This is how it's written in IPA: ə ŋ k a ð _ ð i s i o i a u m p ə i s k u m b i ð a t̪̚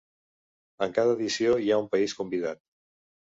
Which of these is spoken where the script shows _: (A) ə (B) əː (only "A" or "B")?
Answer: B